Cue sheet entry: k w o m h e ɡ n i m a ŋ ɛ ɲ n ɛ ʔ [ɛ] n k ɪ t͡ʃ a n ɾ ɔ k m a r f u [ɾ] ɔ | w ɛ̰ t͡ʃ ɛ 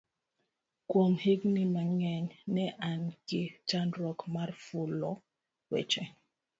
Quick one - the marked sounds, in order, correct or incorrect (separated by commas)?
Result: incorrect, incorrect